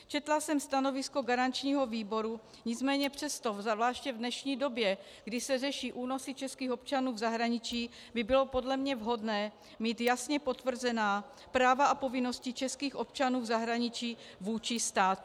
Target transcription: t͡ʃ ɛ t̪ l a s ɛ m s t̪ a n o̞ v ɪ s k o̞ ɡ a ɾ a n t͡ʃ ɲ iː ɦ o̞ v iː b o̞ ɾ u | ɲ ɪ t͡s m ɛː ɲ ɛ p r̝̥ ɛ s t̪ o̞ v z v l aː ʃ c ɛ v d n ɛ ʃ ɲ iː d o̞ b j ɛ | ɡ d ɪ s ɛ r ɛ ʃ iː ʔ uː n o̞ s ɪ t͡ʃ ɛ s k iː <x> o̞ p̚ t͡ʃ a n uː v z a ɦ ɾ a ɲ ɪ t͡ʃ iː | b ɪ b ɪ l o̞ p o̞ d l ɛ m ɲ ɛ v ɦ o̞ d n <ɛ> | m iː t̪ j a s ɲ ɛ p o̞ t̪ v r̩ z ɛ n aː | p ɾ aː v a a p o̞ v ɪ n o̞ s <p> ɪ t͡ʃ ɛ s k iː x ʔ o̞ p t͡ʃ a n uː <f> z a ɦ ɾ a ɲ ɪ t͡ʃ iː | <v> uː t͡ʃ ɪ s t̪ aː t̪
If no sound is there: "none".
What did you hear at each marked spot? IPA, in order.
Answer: x, ɛː, c, v, v

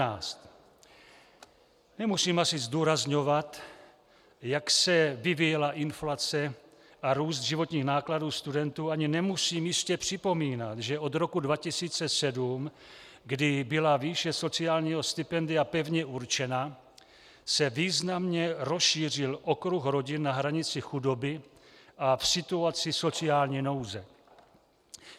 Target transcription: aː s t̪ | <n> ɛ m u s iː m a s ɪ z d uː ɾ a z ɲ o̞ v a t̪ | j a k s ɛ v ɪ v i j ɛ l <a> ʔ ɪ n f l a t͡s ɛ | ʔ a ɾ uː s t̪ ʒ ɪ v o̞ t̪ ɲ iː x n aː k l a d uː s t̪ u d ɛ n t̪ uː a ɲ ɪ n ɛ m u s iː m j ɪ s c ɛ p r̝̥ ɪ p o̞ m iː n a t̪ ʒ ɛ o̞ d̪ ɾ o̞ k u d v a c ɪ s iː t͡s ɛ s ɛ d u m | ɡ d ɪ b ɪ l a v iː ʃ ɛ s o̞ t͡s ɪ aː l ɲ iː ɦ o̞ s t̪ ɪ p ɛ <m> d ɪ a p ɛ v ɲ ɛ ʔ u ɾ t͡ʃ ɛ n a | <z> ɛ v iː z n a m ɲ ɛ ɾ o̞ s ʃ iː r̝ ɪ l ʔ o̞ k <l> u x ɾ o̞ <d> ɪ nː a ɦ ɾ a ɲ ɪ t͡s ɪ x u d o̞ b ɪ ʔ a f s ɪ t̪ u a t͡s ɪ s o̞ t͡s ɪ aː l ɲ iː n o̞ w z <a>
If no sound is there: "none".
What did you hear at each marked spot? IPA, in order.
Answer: n, a, n, s, ɾ, ɟ, ɛ

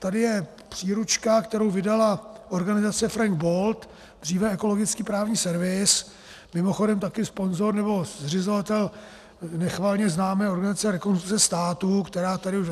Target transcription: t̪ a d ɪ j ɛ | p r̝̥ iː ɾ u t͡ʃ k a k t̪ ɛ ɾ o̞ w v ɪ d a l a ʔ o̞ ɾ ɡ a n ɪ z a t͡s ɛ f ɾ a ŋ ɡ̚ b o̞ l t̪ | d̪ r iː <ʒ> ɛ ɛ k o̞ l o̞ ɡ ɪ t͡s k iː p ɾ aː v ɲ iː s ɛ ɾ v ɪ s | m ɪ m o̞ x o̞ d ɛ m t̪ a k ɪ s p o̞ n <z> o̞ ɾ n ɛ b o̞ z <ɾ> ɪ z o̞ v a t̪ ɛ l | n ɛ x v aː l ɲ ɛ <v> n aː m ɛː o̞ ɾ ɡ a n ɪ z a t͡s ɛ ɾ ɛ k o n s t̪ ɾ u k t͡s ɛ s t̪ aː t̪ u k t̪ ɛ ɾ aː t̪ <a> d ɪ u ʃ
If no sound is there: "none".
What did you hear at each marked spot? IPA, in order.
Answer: v, z, r, z, a

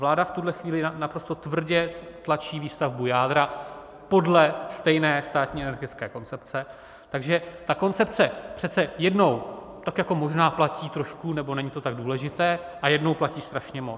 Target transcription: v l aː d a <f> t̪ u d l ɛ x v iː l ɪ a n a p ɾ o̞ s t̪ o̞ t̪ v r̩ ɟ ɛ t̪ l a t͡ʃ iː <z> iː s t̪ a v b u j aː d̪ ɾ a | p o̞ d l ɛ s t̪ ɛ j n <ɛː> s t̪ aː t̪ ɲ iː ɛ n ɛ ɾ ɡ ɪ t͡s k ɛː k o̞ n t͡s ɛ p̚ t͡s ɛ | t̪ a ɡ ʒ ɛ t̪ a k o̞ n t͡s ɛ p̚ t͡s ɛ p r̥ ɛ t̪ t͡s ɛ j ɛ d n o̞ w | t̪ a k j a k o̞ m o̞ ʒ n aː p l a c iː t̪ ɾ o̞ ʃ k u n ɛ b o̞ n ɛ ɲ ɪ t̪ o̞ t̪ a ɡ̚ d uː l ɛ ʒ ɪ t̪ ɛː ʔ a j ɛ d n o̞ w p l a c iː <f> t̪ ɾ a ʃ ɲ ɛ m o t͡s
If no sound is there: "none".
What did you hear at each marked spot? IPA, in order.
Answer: f, v, ɛː, s

